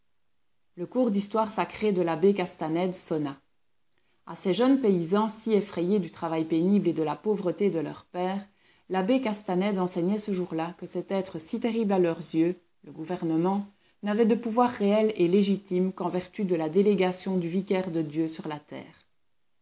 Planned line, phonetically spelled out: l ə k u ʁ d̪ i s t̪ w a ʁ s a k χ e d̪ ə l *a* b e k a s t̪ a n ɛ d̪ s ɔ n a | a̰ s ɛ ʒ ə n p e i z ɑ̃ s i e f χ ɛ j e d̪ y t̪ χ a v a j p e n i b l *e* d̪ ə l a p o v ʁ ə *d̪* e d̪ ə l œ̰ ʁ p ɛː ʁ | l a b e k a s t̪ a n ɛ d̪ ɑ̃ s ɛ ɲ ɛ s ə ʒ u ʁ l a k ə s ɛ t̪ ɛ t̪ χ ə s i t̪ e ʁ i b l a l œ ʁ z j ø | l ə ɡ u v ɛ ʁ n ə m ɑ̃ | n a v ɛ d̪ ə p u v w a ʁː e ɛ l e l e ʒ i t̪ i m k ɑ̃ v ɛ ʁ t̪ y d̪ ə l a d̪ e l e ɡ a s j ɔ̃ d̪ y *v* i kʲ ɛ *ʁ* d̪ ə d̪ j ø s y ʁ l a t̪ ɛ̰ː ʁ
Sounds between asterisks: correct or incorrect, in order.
correct, correct, incorrect: t̪, correct, correct

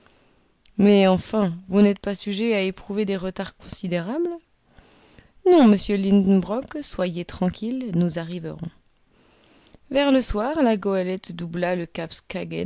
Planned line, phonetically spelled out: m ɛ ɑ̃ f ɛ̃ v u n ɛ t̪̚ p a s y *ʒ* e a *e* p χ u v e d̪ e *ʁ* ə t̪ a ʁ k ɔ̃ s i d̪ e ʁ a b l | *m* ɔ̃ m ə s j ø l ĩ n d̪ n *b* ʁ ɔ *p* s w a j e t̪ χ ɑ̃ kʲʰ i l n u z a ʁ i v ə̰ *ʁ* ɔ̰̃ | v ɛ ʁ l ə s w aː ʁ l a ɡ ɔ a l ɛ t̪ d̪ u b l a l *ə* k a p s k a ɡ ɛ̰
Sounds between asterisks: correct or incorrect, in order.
correct, correct, correct, incorrect: n, correct, incorrect: k, correct, correct

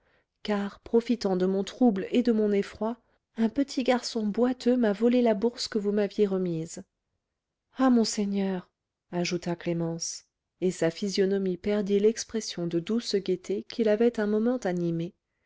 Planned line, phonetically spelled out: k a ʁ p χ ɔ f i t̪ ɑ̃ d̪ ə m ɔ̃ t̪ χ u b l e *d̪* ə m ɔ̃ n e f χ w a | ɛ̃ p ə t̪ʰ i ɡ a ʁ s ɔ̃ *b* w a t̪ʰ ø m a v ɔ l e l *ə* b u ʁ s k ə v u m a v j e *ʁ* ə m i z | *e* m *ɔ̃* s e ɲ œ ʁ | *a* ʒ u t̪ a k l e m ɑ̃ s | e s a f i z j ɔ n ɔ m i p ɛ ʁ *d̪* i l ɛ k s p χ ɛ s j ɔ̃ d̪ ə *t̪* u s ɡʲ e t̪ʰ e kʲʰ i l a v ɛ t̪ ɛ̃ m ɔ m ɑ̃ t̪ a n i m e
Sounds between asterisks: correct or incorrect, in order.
correct, correct, incorrect: a, correct, incorrect: a, correct, correct, correct, incorrect: d̪

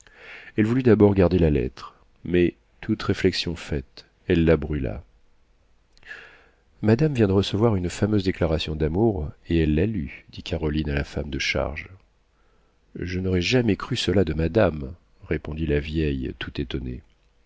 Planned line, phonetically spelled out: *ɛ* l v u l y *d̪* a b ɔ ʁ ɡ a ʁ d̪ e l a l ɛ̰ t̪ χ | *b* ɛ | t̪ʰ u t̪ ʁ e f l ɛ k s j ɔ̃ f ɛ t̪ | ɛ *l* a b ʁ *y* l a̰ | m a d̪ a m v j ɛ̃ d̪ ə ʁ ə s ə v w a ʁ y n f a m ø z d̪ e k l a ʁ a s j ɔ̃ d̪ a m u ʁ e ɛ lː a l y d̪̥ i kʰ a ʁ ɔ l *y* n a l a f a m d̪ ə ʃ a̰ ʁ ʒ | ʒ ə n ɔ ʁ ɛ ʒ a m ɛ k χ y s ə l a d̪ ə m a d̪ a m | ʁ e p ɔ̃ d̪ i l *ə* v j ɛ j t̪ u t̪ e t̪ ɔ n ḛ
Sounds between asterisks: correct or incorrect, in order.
correct, correct, incorrect: m, incorrect: lː, correct, incorrect: i, incorrect: a

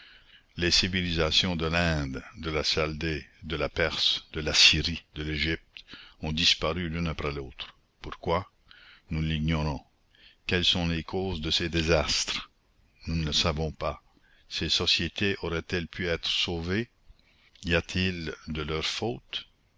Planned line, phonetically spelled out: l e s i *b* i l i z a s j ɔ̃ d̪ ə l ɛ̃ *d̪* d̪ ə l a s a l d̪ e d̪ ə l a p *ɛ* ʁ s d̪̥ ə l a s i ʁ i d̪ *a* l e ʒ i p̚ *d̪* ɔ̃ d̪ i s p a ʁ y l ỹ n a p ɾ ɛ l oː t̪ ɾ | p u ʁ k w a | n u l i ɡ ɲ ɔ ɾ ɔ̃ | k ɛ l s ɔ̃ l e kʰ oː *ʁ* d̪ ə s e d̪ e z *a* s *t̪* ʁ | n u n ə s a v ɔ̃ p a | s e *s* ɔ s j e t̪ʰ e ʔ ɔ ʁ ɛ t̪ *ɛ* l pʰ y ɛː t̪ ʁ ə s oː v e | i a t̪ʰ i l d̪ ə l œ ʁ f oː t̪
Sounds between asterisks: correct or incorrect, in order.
incorrect: v, correct, correct, incorrect: ə, incorrect: t̪, incorrect: z, correct, correct, correct, correct

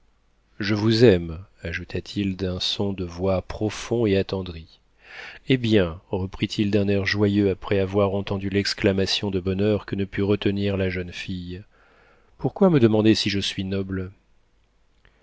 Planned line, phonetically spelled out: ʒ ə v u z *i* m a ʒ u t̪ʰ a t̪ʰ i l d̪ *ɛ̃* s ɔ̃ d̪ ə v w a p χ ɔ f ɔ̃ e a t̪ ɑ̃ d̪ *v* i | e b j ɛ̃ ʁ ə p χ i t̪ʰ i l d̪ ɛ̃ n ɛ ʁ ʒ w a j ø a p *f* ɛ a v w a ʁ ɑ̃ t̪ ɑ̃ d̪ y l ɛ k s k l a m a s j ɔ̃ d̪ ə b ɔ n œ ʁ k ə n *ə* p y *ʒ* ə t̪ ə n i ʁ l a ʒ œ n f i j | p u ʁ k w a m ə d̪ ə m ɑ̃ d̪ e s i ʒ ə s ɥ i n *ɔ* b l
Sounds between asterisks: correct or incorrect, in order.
incorrect: ɛ, correct, incorrect: ʁ, incorrect: χ, correct, incorrect: ʁ, correct

